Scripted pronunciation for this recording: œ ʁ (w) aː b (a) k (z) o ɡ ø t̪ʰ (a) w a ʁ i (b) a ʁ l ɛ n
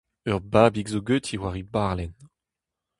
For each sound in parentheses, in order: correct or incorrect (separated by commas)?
incorrect, incorrect, correct, incorrect, correct